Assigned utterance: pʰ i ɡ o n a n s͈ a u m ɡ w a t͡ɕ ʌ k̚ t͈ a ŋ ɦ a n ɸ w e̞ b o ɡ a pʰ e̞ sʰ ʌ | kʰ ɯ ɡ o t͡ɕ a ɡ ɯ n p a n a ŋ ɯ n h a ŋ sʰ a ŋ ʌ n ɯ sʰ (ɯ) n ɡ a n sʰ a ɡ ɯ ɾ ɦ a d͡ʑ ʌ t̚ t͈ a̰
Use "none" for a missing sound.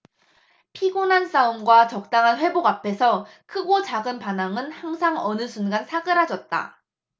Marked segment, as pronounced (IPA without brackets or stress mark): u